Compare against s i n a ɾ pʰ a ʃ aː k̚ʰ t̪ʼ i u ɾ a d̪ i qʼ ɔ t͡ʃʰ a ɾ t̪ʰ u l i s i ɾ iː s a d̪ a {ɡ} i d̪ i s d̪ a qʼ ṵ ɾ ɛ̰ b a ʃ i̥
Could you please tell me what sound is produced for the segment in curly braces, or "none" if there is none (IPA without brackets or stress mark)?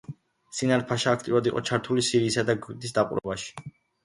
ɡ